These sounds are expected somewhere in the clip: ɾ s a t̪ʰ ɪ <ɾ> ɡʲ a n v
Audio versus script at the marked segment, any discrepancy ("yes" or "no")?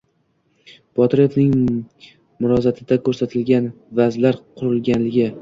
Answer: yes